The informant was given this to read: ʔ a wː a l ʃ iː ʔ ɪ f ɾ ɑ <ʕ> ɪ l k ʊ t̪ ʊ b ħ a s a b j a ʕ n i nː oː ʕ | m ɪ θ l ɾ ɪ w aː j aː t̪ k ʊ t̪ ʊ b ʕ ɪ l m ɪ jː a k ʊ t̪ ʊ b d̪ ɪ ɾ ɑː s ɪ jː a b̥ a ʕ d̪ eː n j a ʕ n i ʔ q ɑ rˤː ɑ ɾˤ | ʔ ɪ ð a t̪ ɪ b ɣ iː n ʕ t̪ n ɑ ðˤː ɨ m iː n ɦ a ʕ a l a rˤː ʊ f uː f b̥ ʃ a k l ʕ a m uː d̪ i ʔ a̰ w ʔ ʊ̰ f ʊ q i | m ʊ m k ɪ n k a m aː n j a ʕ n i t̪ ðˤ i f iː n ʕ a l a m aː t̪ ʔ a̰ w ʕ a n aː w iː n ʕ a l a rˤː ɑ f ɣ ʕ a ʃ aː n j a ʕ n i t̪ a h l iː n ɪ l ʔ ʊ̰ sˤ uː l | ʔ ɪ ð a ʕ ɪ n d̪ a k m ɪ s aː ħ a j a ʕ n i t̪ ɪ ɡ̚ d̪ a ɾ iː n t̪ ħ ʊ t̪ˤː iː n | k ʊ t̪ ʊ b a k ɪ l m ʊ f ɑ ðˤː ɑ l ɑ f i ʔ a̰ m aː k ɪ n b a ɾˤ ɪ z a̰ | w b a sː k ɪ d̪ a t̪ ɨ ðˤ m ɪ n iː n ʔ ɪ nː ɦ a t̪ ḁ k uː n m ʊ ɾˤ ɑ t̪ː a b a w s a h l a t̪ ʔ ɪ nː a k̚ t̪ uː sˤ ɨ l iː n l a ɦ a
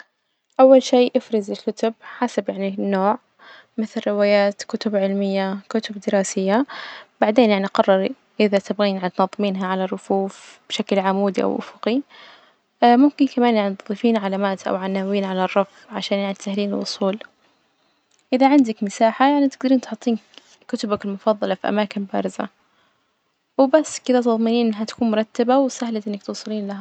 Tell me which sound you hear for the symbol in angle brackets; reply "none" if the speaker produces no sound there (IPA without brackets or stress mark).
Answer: z